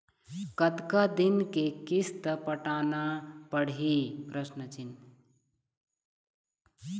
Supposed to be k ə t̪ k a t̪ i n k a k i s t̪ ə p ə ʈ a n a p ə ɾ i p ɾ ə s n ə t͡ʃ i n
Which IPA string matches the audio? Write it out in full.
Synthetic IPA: k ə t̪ k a d̪ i n k e k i s t̪ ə p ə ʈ a n a p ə ɽ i p ɾ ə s n ə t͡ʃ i n